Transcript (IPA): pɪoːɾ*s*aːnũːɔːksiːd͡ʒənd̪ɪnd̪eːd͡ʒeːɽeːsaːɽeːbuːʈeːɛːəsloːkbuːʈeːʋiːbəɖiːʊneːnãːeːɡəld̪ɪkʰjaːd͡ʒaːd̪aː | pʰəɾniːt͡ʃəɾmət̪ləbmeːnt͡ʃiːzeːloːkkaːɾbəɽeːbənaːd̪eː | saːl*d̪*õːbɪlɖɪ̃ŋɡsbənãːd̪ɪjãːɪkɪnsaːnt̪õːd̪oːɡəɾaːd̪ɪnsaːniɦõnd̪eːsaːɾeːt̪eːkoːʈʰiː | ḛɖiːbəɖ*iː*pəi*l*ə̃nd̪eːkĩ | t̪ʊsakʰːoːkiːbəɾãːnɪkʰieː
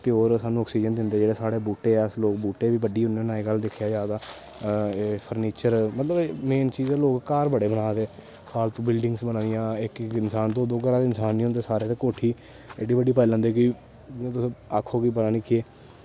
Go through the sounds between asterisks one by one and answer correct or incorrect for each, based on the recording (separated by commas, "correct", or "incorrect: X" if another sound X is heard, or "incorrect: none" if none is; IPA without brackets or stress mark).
correct, incorrect: t̪, correct, correct